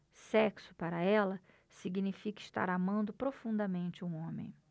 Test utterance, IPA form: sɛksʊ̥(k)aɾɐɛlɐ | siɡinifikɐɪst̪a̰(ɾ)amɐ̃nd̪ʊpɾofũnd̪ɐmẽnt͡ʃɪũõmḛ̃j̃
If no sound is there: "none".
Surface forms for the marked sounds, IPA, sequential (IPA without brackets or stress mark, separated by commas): p, ɾ